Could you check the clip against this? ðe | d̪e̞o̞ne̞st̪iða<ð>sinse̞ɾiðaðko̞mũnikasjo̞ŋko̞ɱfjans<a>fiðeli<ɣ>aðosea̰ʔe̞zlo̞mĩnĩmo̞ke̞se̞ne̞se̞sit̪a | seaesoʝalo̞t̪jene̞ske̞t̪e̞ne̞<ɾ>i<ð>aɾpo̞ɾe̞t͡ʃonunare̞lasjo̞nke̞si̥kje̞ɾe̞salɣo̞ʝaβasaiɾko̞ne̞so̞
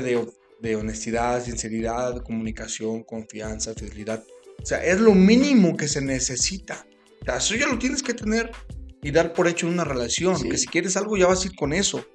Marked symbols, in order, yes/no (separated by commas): yes, yes, no, yes, yes